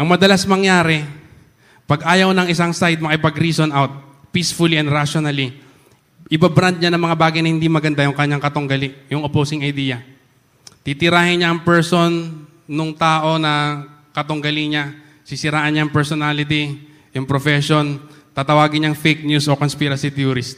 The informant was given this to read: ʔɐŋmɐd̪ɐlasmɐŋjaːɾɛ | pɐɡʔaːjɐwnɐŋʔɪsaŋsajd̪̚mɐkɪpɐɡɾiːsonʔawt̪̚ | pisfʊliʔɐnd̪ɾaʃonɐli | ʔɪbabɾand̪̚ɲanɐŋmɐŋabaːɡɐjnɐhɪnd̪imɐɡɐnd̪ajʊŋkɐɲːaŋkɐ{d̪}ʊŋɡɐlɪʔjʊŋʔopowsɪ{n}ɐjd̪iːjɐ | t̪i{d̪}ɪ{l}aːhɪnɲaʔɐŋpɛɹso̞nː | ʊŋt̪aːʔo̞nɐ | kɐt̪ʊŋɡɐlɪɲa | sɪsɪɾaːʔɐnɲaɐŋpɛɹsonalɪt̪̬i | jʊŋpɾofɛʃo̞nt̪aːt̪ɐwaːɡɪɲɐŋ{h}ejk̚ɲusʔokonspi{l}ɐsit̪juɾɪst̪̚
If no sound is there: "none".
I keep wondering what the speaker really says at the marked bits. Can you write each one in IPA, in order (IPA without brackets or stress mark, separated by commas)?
t̪, ŋ, t̪, ɾ, f, ɾ